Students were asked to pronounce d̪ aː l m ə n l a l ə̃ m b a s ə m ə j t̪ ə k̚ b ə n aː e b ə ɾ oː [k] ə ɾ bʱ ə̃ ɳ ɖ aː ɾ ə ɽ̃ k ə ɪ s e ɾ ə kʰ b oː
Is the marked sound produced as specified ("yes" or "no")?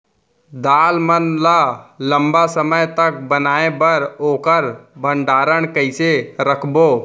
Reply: yes